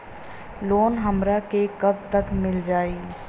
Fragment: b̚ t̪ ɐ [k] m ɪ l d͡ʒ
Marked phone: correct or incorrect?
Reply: correct